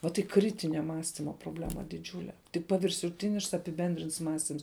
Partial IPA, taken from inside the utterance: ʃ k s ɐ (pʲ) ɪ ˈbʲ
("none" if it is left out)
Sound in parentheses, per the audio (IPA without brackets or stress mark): pʲ